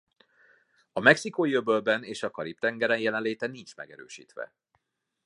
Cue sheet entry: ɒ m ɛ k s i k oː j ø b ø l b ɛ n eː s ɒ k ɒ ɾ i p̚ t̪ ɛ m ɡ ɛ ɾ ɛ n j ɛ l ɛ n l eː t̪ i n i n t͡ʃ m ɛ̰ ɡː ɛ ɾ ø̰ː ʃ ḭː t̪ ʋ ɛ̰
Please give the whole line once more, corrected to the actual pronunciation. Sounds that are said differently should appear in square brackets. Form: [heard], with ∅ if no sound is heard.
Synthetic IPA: ɒ m ɛ k s i k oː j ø b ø l b ɛ n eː [ʃ] ɒ k ɒ ɾ i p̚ t̪ ɛ [ŋ] ɡ ɛ ɾ ɛ n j ɛ l ɛ n l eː t̪ [ɛ] n i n t͡ʃ m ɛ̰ [ɡ] ɛ ɾ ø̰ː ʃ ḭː t̪ ʋ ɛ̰